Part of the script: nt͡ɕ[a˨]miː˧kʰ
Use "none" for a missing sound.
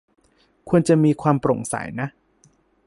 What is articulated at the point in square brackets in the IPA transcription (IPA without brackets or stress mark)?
a˨